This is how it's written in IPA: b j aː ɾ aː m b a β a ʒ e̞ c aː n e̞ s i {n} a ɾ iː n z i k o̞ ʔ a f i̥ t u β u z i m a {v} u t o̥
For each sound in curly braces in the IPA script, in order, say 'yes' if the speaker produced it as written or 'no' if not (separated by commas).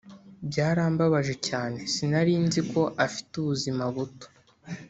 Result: yes, no